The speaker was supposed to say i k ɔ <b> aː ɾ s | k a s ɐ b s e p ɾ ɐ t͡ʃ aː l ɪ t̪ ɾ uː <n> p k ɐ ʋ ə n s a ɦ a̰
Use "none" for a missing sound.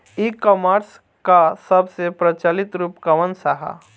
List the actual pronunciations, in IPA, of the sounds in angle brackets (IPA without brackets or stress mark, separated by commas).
m, none